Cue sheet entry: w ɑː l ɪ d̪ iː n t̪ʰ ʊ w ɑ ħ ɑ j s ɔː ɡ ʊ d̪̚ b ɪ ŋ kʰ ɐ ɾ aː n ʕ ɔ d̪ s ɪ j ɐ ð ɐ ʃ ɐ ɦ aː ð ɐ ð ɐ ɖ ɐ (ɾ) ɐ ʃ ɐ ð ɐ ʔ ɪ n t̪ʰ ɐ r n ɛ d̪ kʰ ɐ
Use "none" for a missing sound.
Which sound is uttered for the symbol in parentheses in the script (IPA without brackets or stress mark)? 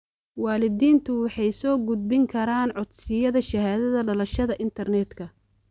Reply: l